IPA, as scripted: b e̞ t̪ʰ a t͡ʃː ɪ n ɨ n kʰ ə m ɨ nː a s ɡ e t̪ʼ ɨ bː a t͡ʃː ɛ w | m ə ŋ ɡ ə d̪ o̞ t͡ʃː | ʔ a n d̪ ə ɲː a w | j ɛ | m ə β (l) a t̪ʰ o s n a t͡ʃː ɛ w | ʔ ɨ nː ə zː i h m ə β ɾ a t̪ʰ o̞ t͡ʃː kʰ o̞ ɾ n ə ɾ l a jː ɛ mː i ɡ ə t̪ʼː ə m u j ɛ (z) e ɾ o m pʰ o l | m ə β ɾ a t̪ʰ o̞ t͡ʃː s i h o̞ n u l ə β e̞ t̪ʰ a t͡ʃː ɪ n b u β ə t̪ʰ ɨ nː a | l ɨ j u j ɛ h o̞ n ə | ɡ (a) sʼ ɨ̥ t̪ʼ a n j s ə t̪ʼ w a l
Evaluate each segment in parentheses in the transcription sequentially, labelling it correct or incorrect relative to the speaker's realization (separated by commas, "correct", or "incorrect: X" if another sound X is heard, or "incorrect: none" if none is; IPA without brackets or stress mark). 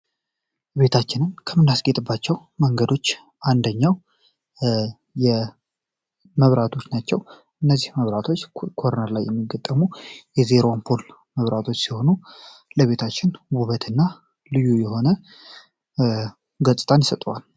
incorrect: ɾ, correct, incorrect: ə